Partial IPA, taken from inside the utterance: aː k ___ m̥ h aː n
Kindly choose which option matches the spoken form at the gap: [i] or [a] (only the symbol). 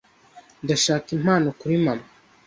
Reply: i